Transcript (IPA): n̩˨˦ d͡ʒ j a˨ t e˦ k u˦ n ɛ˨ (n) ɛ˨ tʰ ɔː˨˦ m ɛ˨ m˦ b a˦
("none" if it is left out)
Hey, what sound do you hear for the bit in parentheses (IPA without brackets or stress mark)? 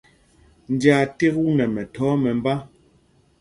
m